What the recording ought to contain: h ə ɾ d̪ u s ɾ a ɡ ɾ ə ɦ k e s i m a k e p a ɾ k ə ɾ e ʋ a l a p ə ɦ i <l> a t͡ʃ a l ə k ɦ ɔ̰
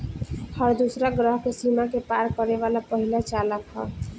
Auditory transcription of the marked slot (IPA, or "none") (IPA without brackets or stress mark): l